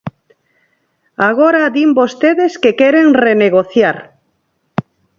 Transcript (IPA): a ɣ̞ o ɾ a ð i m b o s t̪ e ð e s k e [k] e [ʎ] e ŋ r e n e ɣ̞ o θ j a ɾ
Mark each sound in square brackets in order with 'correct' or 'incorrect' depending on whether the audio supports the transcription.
correct, incorrect

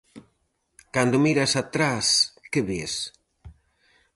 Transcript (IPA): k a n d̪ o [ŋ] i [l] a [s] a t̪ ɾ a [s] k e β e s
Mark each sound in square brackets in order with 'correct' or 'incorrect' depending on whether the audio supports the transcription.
incorrect, incorrect, correct, correct

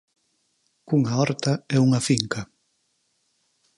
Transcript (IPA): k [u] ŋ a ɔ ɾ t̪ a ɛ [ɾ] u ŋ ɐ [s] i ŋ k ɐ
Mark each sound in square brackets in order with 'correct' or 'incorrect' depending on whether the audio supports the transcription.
correct, incorrect, incorrect

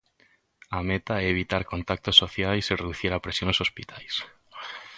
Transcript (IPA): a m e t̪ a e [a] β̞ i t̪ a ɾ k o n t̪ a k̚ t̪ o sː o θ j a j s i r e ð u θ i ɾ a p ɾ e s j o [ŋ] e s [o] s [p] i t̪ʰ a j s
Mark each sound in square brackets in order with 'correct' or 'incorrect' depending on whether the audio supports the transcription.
incorrect, incorrect, correct, correct

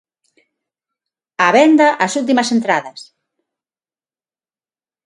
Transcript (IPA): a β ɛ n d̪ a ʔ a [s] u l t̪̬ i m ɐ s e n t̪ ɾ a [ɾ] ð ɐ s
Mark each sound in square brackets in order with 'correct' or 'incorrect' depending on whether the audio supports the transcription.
correct, incorrect

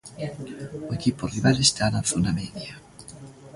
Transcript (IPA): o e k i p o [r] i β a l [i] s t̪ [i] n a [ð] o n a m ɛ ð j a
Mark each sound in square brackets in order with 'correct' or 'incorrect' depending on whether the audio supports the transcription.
correct, incorrect, incorrect, incorrect

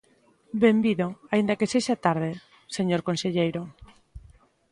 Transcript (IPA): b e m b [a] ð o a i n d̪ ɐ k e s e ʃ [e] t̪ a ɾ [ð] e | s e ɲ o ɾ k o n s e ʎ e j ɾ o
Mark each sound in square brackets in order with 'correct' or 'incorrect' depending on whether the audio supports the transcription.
incorrect, incorrect, correct

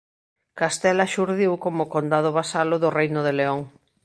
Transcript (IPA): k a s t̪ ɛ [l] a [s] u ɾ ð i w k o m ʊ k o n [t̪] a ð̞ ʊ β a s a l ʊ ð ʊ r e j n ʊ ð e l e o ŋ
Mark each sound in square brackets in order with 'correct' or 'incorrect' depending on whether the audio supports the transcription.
correct, incorrect, incorrect

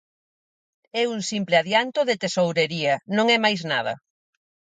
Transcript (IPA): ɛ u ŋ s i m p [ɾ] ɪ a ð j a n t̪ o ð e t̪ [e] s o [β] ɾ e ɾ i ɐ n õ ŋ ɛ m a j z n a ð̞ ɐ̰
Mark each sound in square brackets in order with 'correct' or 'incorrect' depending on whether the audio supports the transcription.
incorrect, correct, incorrect

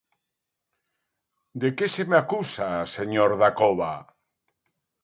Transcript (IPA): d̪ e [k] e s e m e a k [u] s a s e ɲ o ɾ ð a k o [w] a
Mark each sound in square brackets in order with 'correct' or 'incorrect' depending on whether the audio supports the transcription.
correct, correct, incorrect

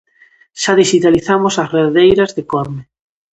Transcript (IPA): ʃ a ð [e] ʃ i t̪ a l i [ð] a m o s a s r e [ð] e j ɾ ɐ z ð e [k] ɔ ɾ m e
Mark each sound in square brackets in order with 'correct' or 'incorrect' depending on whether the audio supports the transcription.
incorrect, incorrect, correct, correct

